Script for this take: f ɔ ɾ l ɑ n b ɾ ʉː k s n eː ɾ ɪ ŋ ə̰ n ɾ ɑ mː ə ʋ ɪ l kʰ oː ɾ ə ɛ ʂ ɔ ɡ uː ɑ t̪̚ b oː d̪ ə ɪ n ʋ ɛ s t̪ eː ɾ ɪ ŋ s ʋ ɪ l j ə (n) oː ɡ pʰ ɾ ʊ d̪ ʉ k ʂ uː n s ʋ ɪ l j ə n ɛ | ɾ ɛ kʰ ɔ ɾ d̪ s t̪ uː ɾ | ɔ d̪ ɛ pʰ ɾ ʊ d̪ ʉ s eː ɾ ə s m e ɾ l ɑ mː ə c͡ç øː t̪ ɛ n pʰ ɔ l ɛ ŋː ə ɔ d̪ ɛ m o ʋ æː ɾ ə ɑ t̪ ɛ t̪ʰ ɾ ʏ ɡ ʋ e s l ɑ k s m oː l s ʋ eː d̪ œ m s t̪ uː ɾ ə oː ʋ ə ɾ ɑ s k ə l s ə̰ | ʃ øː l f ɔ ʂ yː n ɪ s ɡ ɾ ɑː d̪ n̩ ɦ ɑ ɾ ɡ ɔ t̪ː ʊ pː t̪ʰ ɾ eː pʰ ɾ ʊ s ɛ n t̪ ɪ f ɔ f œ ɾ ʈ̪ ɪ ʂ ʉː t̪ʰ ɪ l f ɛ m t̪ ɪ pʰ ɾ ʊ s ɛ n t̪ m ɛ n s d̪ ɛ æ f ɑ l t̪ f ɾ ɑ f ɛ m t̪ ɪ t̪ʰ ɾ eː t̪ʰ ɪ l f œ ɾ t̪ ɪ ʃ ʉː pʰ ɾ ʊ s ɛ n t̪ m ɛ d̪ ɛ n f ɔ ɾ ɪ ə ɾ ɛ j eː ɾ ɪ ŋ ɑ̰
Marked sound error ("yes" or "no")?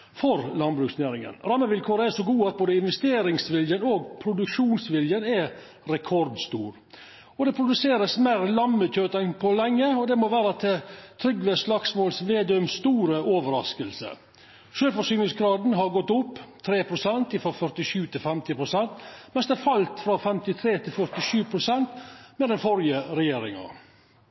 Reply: no